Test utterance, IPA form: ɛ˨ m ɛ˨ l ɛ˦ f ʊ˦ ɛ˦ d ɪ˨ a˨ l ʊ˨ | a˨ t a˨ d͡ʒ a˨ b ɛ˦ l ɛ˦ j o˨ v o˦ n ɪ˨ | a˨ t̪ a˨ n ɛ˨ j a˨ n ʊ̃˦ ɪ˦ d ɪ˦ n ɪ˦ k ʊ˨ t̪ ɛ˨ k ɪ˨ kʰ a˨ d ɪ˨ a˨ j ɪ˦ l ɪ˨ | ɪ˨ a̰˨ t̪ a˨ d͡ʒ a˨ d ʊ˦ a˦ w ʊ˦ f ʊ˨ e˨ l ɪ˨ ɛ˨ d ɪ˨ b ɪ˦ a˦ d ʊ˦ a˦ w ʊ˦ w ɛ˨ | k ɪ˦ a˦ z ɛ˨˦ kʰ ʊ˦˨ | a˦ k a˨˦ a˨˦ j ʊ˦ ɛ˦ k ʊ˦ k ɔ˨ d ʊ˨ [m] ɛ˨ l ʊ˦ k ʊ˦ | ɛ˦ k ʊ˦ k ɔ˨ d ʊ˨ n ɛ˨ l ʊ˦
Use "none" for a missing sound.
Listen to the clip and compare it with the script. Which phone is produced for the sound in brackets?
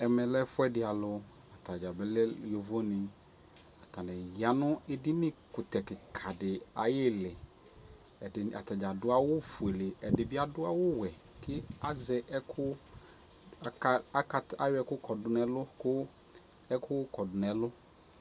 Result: n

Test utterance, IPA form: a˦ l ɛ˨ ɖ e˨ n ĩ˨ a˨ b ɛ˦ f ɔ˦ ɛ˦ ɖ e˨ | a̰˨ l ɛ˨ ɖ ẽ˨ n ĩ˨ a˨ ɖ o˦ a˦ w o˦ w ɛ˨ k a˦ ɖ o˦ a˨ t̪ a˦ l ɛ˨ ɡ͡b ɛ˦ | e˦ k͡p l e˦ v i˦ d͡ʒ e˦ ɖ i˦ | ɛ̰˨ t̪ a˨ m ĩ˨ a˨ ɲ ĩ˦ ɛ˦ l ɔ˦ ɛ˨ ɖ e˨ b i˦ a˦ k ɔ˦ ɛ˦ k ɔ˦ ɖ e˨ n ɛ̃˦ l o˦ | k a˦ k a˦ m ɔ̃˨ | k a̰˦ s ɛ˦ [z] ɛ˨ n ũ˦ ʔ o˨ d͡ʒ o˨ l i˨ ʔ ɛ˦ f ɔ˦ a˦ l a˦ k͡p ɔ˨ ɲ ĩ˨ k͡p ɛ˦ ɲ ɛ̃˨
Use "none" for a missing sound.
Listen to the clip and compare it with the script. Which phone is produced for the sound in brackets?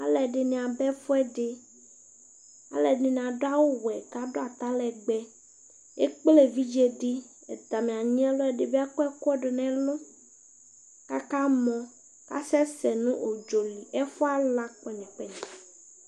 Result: s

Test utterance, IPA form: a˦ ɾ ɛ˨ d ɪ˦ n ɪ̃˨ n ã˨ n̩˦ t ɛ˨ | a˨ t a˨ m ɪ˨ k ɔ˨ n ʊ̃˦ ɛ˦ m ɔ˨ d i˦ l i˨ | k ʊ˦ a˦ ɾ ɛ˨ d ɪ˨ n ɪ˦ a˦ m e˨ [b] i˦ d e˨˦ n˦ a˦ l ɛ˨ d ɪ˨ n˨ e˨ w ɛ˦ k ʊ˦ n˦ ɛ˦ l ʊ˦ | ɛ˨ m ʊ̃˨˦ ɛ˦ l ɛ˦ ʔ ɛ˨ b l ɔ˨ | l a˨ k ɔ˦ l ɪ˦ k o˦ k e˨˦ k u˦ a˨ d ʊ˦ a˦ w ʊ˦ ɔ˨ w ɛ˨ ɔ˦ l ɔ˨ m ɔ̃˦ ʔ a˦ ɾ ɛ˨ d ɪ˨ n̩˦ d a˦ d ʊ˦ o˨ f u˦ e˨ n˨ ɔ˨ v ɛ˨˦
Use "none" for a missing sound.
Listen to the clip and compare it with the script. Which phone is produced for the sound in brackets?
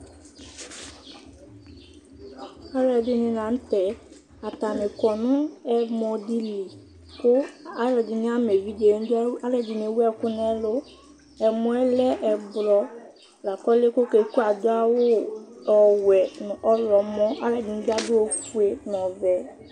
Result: v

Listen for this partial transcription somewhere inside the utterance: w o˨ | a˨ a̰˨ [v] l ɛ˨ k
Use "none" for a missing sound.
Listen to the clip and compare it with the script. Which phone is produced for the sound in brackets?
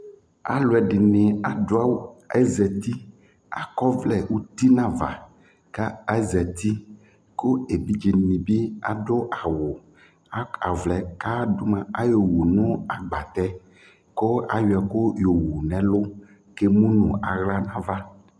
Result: v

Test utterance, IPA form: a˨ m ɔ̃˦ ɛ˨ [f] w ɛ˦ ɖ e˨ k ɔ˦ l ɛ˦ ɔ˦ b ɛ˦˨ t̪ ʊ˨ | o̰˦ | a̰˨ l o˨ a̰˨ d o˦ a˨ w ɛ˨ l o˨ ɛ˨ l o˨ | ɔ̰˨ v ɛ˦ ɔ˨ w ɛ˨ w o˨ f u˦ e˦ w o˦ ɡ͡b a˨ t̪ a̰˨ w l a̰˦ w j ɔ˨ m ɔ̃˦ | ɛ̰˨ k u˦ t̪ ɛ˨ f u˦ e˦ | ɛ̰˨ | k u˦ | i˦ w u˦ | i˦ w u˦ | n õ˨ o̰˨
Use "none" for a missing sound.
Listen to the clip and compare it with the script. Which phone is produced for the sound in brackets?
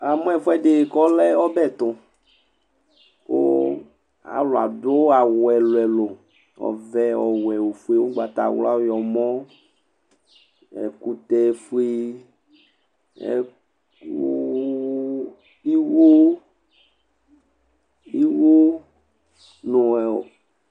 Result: f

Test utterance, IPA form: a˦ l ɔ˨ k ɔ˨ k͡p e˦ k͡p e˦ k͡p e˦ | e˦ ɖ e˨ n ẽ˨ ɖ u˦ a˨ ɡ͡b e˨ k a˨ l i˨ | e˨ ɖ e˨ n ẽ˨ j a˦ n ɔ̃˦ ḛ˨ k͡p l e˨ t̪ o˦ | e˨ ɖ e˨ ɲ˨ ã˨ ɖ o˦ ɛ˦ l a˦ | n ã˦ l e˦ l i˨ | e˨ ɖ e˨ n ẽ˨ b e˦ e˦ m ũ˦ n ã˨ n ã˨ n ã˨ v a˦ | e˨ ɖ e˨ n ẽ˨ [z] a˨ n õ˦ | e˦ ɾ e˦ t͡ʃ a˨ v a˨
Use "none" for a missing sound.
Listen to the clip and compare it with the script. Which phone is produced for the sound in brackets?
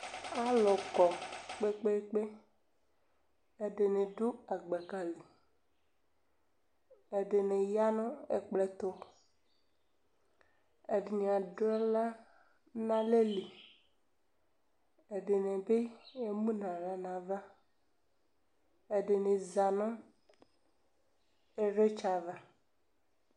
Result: z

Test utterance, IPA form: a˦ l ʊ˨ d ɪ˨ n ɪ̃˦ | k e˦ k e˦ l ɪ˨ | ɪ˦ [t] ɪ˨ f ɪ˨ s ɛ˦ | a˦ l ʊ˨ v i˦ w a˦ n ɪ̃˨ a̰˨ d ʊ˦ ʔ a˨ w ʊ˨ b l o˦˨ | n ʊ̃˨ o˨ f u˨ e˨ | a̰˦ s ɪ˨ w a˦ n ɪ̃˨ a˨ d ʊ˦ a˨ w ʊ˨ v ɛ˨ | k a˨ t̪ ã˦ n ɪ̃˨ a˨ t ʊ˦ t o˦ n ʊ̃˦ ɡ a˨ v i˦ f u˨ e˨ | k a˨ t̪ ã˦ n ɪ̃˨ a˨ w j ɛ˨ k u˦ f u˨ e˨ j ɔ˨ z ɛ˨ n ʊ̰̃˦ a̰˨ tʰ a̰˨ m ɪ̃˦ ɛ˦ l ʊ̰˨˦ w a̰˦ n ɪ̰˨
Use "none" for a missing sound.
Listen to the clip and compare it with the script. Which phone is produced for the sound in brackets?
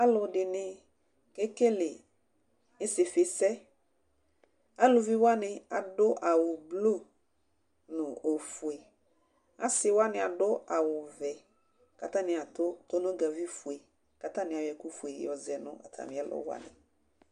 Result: s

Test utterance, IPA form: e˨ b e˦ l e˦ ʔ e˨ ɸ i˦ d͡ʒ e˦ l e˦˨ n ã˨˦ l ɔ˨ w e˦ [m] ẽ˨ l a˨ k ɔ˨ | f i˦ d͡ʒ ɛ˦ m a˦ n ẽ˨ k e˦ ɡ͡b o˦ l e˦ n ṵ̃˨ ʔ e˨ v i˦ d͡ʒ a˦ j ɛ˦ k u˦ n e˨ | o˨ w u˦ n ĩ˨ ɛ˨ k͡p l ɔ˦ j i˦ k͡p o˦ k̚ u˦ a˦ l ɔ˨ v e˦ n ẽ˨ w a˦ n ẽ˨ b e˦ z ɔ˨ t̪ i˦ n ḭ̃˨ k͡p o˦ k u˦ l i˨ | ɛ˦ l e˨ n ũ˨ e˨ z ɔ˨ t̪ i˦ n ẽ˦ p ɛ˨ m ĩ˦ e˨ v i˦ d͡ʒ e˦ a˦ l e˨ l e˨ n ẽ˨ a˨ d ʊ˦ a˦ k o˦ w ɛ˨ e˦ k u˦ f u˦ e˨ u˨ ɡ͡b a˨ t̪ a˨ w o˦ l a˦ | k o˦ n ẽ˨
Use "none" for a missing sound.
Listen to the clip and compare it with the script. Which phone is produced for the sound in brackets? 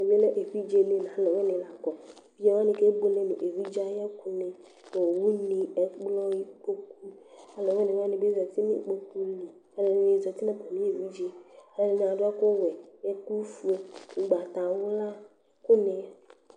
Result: n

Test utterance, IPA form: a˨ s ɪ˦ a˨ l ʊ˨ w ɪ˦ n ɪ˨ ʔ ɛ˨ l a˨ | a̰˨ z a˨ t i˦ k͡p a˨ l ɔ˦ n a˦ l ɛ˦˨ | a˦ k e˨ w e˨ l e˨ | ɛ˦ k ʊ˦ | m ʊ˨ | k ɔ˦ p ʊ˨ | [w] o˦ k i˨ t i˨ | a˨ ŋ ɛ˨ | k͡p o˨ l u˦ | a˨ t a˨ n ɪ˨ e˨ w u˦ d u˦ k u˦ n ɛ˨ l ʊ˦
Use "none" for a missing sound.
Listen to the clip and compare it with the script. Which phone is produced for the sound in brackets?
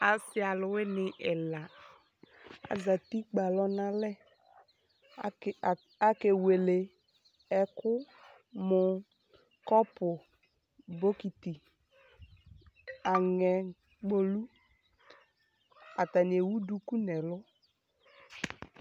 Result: b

